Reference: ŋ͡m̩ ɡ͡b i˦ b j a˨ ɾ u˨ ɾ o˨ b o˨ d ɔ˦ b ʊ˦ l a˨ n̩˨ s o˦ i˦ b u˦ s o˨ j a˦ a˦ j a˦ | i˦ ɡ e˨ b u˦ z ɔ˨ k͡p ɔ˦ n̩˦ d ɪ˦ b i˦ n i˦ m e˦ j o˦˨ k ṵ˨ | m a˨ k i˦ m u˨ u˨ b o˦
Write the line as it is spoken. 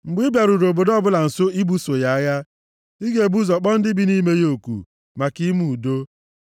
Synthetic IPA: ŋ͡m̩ ɡ͡b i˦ b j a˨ ɾ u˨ ɾ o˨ b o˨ d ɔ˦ b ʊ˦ l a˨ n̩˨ s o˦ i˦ b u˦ s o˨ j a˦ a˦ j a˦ | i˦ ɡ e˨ b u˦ z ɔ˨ k͡p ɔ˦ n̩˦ d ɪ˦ b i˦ n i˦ m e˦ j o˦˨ k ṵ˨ | m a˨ k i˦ m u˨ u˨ d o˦